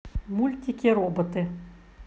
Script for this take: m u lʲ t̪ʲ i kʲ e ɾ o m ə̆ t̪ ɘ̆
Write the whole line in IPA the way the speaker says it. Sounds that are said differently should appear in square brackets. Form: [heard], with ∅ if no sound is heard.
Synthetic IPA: m u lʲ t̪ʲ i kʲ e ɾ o [b] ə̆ t̪ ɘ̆